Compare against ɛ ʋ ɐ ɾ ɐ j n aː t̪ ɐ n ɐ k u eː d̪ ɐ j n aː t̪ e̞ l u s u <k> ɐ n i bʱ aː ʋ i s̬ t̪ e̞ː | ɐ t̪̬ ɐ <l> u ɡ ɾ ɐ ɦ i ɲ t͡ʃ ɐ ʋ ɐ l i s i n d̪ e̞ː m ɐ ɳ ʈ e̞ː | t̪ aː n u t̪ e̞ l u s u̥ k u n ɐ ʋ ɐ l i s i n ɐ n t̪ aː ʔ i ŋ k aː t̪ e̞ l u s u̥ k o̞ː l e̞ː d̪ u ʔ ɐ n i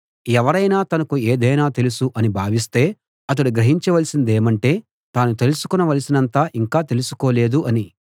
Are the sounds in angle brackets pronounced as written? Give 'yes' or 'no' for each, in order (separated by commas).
no, no